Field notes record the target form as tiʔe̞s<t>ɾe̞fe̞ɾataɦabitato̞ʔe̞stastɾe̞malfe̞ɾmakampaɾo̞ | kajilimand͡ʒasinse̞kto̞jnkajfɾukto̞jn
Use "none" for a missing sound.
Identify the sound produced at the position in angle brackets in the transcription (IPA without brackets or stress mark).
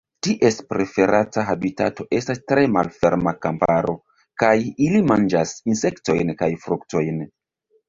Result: p